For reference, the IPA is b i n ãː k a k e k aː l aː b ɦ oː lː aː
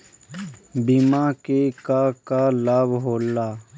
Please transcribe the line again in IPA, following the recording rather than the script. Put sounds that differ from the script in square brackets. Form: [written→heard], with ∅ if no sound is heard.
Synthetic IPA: b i [n→m] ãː k [a→e] k [e→a] k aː l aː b ɦ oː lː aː

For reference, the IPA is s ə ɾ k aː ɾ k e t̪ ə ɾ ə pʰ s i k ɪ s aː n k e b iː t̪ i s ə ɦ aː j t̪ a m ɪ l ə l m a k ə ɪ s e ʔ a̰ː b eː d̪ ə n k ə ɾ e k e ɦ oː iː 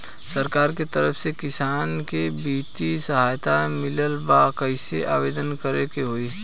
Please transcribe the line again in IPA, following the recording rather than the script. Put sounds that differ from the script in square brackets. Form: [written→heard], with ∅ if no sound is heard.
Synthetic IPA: s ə ɾ k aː ɾ k e t̪ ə ɾ ə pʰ s [i→e] k ɪ s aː n k e b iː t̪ i s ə ɦ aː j t̪ a m ɪ l ə l [m→b] a k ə ɪ s e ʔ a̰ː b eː d̪ ə n k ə ɾ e k e ɦ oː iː

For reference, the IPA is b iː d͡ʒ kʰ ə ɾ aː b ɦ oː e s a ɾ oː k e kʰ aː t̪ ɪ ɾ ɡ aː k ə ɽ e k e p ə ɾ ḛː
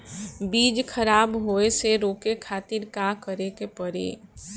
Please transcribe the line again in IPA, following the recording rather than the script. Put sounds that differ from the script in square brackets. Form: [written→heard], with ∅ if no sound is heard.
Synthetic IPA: b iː d͡ʒ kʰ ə ɾ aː b ɦ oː e s [a→e] ɾ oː k e kʰ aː t̪ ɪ ɾ [ɡ→k] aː k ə [ɽ→ɾ] e k e p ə ɾ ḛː

